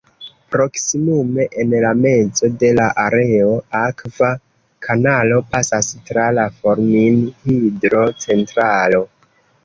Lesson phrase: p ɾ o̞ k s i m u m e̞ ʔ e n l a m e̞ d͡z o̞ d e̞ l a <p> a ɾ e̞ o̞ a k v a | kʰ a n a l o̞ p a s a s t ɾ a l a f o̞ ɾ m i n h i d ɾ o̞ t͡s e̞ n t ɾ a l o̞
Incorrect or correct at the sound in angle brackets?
incorrect: ʔ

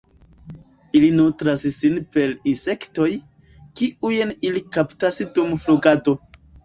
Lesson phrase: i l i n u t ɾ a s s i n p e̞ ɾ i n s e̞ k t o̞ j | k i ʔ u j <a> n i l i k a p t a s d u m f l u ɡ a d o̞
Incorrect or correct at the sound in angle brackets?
incorrect: e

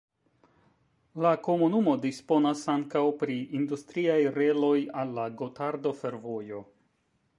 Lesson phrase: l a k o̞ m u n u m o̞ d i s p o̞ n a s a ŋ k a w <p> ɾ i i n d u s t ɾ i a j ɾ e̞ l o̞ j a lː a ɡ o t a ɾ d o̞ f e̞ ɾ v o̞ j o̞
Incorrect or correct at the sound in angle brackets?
correct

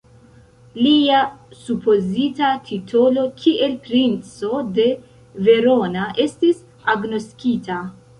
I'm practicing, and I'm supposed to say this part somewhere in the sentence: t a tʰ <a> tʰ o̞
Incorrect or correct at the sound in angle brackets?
incorrect: i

